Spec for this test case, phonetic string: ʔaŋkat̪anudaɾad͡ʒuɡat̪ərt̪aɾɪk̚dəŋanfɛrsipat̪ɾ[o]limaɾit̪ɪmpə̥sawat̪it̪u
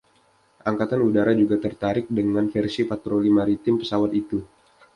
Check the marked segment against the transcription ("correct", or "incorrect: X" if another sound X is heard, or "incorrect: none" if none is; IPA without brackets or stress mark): correct